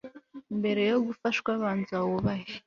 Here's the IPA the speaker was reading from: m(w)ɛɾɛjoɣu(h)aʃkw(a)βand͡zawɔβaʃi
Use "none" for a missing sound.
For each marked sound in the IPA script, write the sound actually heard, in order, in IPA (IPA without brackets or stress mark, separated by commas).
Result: b, f, a